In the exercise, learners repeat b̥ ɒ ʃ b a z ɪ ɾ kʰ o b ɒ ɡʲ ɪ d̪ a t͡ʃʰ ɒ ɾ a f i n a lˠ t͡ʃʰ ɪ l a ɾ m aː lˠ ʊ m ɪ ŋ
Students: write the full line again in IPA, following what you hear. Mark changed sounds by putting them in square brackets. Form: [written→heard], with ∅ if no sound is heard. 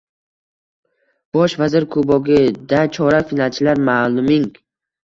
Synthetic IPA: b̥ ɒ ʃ [b→v] a z ɪ ɾ kʰ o b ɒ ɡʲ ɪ d̪ a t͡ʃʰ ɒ ɾ a f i n a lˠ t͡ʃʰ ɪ l a ɾ m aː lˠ ʊ m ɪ ŋ